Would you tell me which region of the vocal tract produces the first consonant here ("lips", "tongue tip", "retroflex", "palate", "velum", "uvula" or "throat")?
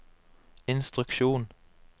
tongue tip